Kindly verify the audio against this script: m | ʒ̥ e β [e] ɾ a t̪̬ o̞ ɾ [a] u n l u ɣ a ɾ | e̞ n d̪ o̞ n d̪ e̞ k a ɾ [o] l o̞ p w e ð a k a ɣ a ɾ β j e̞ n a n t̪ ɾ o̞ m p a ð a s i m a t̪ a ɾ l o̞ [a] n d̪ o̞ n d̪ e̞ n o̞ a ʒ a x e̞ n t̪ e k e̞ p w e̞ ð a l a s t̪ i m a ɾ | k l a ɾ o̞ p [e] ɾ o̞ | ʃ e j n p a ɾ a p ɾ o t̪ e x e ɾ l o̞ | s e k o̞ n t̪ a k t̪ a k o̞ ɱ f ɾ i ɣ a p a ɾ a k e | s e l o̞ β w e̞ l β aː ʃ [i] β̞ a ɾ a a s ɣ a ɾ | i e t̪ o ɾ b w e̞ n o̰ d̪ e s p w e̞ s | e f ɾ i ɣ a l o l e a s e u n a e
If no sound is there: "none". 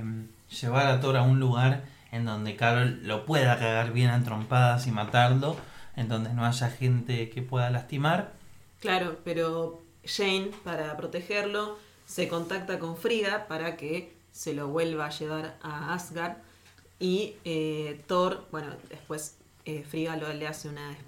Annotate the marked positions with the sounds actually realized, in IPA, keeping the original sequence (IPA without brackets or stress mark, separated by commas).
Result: a, a, o, e, e, e